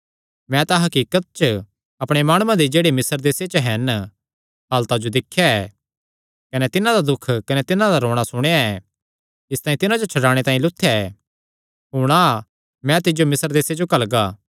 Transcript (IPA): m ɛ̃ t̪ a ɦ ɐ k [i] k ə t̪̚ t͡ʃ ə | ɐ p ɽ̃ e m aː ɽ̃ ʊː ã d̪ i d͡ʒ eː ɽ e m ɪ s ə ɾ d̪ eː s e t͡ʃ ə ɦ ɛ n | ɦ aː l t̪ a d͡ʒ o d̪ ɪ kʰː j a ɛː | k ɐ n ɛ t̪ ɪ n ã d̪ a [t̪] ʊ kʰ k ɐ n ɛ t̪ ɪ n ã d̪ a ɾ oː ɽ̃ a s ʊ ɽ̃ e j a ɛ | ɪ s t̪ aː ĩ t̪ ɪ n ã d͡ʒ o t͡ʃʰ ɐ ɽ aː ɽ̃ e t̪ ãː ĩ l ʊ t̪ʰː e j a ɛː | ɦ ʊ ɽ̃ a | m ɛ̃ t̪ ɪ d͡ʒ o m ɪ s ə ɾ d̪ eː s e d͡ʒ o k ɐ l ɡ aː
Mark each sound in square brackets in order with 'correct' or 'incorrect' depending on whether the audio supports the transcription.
incorrect, incorrect

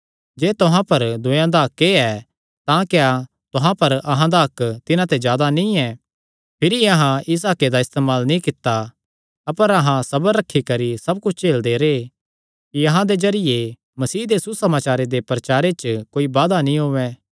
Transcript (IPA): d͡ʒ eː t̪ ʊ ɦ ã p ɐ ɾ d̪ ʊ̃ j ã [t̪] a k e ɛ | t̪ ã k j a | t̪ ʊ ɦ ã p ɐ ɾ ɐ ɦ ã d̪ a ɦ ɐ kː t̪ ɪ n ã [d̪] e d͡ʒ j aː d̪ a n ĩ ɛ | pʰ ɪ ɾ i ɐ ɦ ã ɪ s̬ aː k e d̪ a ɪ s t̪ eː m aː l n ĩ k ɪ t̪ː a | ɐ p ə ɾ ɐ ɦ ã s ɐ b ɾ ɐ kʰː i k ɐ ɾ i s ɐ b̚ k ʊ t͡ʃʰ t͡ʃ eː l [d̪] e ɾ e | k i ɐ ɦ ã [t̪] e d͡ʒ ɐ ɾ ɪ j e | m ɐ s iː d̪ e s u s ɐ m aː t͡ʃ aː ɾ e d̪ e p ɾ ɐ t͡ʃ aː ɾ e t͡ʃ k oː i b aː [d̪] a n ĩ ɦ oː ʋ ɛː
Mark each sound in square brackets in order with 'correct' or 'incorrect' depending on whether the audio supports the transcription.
incorrect, incorrect, correct, incorrect, correct

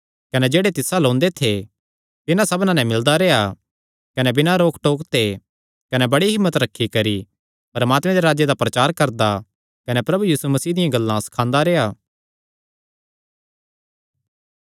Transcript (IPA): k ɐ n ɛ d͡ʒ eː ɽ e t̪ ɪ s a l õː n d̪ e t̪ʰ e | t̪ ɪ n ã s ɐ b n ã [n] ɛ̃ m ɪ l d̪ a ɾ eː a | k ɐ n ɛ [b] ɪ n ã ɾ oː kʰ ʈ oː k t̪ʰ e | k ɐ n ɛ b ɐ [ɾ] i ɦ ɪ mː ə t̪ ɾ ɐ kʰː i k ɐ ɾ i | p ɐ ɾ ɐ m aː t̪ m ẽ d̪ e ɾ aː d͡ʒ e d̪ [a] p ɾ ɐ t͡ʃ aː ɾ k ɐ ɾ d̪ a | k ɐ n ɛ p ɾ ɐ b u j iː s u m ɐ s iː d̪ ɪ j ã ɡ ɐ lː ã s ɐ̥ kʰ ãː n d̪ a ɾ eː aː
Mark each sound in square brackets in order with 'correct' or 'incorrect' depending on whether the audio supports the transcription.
correct, correct, incorrect, correct

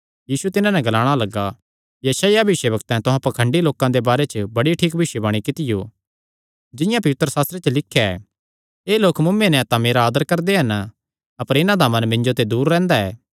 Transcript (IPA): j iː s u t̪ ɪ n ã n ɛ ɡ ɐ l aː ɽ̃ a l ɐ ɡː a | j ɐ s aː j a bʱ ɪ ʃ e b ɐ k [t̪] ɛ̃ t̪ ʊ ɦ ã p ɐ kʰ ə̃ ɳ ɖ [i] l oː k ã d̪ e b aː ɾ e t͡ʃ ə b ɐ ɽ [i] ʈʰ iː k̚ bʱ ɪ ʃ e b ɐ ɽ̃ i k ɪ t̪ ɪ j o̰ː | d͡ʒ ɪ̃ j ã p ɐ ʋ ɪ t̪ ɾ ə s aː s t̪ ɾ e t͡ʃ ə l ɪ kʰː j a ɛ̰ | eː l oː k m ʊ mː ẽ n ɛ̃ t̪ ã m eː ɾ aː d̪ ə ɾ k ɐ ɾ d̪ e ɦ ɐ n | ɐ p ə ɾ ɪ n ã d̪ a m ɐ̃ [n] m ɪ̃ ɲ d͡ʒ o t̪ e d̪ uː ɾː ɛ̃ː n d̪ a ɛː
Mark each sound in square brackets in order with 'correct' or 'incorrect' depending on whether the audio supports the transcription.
correct, correct, correct, correct

